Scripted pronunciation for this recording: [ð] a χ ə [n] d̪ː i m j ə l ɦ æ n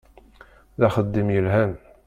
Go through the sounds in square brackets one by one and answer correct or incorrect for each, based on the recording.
correct, incorrect

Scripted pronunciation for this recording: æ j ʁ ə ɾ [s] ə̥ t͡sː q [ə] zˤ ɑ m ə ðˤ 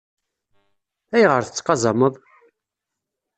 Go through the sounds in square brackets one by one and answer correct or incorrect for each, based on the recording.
incorrect, incorrect

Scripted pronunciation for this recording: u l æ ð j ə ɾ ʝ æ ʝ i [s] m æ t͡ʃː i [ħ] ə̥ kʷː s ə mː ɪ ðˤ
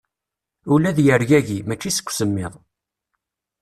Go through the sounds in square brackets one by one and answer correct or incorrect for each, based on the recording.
incorrect, incorrect

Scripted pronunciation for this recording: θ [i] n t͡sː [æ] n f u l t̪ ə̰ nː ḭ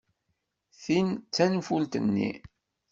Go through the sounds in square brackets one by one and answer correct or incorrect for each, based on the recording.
correct, correct

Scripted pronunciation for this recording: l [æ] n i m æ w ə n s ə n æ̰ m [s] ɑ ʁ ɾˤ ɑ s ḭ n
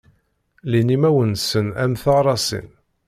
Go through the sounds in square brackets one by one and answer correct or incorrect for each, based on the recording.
incorrect, incorrect

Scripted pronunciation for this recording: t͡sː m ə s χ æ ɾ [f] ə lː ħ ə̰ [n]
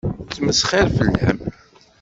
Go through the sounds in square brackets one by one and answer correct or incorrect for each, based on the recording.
correct, incorrect

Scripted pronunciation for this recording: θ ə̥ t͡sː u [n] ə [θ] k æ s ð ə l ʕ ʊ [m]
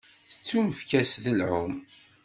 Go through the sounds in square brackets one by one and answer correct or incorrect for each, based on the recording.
incorrect, incorrect, correct

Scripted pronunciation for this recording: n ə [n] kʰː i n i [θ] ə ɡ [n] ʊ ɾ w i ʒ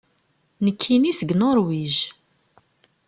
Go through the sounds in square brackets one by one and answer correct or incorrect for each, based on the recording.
incorrect, incorrect, correct

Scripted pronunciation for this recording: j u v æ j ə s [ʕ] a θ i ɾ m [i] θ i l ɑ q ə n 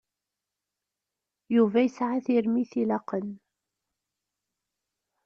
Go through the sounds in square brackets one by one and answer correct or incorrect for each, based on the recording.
correct, correct

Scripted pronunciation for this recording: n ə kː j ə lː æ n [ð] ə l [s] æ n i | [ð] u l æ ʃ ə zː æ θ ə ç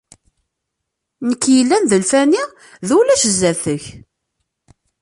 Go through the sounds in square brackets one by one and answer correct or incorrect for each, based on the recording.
correct, incorrect, correct

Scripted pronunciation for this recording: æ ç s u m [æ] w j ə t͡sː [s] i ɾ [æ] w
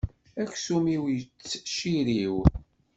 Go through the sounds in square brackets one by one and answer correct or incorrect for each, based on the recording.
incorrect, incorrect, incorrect

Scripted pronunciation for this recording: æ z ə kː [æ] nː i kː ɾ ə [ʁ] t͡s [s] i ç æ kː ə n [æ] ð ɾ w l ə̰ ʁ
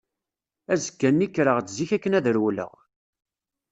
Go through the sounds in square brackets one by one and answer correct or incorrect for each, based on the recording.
correct, correct, incorrect, correct

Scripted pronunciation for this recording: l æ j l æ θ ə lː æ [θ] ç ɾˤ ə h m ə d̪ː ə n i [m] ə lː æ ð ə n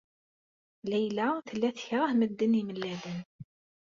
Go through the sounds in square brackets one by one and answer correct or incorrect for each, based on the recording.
correct, correct

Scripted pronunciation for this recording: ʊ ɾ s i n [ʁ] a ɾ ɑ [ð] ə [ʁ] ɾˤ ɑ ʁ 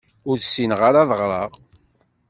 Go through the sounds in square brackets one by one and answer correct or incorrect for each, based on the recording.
correct, correct, correct

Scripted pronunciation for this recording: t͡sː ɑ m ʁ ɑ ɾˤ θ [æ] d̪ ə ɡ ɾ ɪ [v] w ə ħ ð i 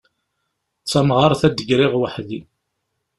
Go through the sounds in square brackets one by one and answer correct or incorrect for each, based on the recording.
correct, incorrect

